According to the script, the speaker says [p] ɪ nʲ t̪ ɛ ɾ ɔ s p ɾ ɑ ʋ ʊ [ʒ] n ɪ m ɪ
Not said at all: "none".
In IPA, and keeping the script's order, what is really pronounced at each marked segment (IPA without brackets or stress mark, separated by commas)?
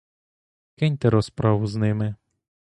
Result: k, z